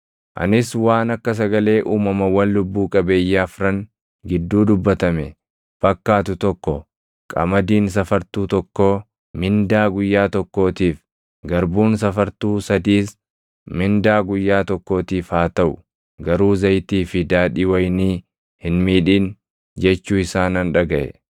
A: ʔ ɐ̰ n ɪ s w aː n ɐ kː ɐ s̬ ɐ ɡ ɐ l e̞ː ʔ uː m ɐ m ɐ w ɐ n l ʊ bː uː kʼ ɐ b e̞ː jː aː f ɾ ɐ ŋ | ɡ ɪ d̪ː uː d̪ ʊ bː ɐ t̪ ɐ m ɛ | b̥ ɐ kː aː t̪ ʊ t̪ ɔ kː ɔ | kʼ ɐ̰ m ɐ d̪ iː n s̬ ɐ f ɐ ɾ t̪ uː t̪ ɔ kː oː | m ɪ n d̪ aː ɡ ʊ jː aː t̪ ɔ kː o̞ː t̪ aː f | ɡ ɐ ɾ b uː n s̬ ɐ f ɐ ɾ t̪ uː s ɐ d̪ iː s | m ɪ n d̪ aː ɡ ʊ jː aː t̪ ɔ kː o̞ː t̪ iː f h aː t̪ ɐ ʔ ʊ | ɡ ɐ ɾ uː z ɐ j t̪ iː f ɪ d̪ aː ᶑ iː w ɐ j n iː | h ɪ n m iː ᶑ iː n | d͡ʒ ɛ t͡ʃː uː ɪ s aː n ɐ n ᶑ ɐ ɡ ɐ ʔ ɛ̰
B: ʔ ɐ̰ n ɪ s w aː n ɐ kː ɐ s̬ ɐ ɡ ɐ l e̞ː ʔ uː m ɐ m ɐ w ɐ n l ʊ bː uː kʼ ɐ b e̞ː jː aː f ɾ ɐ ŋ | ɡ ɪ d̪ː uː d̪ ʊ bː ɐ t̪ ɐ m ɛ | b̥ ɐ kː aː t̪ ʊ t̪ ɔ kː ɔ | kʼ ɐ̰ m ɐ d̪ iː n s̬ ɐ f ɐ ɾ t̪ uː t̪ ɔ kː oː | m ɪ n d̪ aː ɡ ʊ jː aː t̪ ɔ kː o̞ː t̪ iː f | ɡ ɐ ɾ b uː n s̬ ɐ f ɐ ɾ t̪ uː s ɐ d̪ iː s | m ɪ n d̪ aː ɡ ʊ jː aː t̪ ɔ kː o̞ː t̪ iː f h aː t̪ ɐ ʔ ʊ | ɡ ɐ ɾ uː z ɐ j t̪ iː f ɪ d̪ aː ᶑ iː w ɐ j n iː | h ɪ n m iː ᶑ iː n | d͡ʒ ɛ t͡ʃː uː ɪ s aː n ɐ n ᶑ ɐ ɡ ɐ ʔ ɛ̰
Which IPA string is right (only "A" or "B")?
B